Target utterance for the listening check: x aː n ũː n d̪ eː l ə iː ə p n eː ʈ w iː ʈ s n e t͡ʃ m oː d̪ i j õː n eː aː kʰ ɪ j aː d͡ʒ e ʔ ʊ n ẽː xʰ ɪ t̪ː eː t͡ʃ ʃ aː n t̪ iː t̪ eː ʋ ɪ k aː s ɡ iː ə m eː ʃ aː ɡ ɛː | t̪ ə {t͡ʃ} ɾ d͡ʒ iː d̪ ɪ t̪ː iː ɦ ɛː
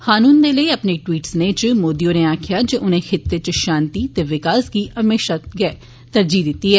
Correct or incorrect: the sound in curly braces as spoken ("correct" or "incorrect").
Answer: incorrect